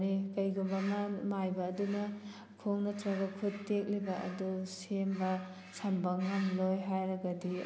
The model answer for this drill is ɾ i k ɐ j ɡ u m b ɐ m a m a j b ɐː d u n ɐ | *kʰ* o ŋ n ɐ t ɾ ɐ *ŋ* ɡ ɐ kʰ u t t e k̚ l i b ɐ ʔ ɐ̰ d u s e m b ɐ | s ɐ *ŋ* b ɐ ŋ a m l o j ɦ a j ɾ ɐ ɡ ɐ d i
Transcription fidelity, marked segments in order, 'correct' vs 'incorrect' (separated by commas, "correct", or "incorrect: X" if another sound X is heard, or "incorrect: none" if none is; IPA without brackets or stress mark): correct, incorrect: none, incorrect: m